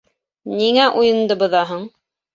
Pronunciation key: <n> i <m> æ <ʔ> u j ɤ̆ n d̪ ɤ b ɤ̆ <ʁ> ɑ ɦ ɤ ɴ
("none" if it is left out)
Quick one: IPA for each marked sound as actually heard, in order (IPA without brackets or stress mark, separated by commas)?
n, ŋ, ʔ, ð